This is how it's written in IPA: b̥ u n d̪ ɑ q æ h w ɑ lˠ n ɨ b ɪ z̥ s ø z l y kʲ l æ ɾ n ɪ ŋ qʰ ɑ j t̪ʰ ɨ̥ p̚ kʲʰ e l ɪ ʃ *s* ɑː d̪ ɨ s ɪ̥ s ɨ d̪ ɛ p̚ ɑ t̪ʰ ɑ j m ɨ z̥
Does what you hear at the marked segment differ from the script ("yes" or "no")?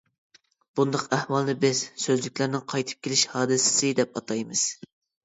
yes